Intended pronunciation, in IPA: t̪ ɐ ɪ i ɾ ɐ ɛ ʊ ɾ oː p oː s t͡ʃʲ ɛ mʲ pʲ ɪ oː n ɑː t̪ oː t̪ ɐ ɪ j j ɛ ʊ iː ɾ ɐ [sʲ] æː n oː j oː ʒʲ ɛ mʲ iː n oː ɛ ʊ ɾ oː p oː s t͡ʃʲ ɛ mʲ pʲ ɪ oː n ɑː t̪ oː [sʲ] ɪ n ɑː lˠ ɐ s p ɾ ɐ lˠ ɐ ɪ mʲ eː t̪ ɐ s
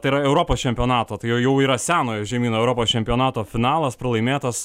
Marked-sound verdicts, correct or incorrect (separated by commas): correct, incorrect